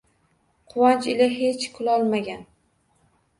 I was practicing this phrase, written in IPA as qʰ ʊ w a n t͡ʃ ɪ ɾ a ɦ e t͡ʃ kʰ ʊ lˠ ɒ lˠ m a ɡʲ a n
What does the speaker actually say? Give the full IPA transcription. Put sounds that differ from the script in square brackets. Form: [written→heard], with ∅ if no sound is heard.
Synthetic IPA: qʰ ʊ w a n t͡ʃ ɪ [ɾ→l] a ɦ e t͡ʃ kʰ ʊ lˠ ɒ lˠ m a ɡʲ a n